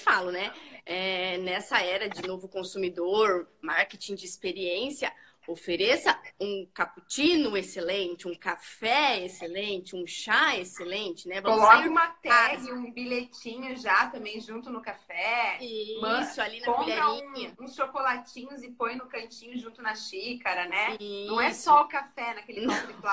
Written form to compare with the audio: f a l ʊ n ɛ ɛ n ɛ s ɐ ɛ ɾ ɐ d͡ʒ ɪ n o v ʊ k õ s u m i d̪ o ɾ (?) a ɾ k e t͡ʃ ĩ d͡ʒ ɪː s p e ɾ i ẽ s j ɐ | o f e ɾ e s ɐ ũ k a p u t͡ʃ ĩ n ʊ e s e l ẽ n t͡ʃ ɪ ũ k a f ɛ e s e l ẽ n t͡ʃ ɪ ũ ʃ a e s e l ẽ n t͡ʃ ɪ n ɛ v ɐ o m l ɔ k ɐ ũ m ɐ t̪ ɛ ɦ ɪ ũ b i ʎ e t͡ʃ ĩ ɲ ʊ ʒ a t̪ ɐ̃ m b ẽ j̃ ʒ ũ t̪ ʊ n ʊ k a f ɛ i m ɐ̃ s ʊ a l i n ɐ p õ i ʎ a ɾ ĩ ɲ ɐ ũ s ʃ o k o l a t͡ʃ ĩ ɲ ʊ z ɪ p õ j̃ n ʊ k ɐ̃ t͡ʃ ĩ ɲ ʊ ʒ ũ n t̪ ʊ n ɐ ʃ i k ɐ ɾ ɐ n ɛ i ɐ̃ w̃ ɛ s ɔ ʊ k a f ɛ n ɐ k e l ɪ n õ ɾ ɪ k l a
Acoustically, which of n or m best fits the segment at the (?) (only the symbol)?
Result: m